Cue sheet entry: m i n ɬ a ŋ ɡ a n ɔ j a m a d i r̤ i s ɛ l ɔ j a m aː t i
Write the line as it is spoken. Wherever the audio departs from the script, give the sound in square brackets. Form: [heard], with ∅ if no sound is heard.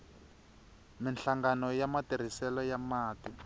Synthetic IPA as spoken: m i n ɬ a ŋ ɡ a n ɔ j a m a [t] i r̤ i s ɛ l ɔ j a m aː t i